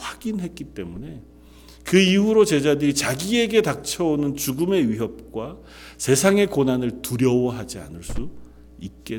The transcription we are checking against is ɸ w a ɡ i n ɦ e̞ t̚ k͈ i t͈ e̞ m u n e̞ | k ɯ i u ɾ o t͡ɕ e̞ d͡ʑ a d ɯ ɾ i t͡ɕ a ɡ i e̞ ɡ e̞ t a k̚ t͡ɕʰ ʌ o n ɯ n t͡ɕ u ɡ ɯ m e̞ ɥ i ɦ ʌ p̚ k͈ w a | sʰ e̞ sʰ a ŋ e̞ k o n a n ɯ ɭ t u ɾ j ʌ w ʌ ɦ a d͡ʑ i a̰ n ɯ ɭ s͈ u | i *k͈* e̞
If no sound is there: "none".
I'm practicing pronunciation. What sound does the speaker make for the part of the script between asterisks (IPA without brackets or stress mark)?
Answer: k͈